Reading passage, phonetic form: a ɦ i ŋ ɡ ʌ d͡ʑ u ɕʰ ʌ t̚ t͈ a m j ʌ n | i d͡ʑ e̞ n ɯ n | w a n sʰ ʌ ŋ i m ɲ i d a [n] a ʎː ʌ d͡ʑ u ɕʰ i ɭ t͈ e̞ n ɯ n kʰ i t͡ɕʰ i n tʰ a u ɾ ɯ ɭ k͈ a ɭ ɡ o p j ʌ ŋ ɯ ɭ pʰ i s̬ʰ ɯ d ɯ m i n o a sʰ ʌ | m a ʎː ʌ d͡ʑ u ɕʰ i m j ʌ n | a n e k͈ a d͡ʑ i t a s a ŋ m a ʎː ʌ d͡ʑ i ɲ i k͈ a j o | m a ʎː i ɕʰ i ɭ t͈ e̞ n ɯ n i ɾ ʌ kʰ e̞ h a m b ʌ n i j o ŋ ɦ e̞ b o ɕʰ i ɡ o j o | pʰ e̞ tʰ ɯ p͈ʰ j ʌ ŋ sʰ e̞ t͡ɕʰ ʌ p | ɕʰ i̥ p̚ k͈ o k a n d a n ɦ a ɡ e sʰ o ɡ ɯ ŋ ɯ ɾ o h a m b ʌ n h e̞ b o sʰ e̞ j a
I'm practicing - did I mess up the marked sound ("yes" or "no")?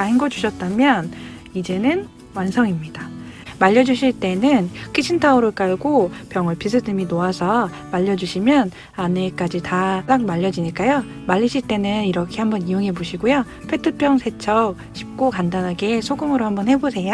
yes